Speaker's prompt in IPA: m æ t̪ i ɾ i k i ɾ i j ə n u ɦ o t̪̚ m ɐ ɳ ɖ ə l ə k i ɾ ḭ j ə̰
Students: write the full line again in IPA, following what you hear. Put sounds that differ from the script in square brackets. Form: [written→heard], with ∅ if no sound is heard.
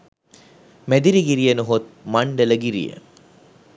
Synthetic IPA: m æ [t̪→d̪] i ɾ i [k→ɡ] i ɾ i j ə n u ɦ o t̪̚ m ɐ ɳ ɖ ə l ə [k→ɡ] i ɾ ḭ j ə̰